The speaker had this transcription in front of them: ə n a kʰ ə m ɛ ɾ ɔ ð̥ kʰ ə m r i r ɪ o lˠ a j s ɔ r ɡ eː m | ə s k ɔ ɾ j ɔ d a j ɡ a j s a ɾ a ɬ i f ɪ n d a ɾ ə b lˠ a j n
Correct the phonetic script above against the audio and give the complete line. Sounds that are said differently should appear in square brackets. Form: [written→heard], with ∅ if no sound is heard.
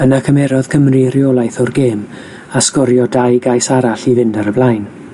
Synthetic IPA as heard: ə n a kʰ ə m ɛ ɾ ɔ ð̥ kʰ ə m r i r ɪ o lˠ a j [s→θ] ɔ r ɡ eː m | [ə→a] s k ɔ ɾ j ɔ d a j ɡ a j s a ɾ a ɬ i [f→v] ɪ n d a ɾ ə b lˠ a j n